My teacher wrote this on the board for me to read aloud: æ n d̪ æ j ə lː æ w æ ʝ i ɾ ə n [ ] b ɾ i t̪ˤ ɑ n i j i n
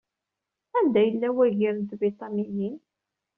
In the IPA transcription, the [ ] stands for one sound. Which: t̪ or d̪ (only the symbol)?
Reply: t̪